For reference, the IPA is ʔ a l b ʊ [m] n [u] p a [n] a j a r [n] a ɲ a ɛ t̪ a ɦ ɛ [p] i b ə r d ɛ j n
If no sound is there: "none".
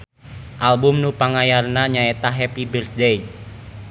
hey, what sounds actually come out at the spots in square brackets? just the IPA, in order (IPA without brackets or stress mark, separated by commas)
m, u, ŋ, n, p